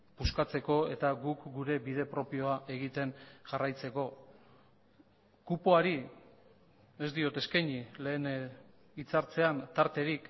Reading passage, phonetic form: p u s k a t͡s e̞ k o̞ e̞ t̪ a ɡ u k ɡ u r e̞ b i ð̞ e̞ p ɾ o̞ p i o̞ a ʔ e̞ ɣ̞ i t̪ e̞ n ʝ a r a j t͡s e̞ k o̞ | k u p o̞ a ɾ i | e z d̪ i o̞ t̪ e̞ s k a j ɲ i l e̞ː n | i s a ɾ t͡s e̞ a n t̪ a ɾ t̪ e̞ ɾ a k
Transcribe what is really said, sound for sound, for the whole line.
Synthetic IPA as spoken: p u s k a t͡s e̞ k o̞ e̞ t̪ a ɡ u k ɡ u ɾ e̞ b i ð̞ e̞ p ɾ o̞ p i o̞ a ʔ e̞ ɣ̞ i t̪ e̞ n ʝ a r a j t͡s e̞ k o̞ | k u p o̞ a ɾ i | e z d̪ i o̞ t̪ e̞ s k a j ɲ i l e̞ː n | i t͡s a ɾ t͡s e̞ a n t̪ a ɾ t̪ e̞ ɾ i k